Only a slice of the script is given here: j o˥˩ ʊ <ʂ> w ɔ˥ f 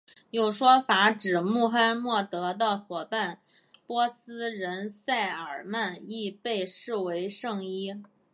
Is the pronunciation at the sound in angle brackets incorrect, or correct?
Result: correct